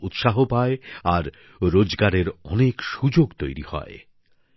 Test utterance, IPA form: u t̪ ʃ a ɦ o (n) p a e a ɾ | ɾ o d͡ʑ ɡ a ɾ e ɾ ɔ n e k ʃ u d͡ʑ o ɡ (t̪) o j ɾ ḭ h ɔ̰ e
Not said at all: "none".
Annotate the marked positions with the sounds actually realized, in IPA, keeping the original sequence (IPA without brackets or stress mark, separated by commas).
none, t̪